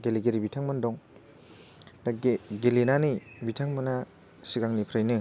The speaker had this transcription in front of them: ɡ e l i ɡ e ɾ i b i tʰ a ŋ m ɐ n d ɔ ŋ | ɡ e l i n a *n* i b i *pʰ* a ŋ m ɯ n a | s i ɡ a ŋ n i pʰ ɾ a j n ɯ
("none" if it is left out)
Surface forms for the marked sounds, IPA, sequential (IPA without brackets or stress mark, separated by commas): n, tʰ